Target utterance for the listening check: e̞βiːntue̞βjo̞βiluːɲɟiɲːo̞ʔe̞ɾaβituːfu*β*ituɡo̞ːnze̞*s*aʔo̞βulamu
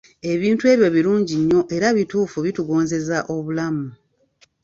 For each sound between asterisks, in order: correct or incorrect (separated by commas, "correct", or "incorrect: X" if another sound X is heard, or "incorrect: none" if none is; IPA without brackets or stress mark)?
correct, incorrect: z